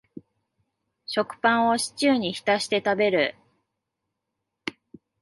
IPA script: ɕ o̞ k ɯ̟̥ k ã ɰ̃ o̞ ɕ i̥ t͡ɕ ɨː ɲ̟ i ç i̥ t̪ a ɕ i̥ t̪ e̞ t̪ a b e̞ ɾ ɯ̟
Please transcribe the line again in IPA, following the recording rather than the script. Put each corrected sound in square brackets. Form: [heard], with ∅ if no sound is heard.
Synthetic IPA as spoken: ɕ o̞ k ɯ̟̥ [p] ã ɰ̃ o̞ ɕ i̥ t͡ɕ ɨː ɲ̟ i ç i̥ t̪ a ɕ i̥ t̪ e̞ t̪ a b e̞ ɾ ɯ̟